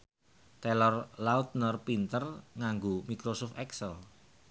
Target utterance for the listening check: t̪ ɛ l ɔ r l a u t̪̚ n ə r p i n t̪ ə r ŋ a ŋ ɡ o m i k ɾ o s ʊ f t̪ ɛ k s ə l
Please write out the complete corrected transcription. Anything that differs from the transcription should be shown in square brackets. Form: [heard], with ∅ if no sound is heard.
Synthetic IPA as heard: t̪ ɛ l ɔ r l a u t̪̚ n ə r p i n t̪ ə r ŋ a ŋ ɡ o m i k ɾ o s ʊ f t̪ ɛ k s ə l

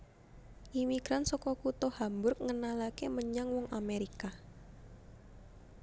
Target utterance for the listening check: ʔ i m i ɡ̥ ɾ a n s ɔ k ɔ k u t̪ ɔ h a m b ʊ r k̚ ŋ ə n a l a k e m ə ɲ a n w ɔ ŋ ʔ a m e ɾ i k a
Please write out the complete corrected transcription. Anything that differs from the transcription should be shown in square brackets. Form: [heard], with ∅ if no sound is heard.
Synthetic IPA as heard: ʔ i m i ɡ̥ ɾ a n s ɔ k ɔ k u t̪ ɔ h a m b ʊ r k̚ ŋ ə n a l a k e m ə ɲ a [ŋ] w ɔ ŋ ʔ a m e ɾ i k a

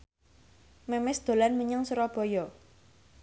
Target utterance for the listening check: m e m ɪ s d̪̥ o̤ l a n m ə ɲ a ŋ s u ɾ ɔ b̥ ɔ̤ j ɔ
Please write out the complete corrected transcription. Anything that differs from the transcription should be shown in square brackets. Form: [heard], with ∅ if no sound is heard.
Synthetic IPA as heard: m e m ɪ s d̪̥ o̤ l a n m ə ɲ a ŋ s u ɾ ɔ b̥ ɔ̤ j ɔ

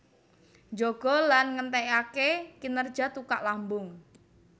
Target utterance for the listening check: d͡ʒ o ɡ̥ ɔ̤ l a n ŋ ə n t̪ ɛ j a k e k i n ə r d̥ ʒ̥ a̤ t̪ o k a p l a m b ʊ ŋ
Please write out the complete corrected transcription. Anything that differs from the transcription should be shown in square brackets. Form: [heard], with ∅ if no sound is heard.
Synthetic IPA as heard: d͡ʒ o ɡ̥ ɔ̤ l a n ŋ ə n t̪ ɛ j a k e k i n ə r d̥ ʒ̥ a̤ t̪ [u] k a [ʔ] l a m b ʊ ŋ

